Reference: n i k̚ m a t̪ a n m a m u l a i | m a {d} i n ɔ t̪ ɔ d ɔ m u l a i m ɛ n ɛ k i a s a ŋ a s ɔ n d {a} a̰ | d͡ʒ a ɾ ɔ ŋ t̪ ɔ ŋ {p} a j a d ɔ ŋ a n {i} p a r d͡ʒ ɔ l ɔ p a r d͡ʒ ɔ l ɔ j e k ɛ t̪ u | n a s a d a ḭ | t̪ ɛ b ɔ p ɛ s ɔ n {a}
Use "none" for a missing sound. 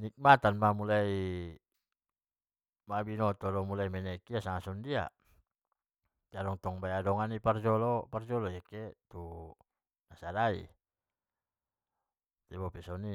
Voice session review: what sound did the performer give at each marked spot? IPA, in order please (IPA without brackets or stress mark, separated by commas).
b, i, b, i, i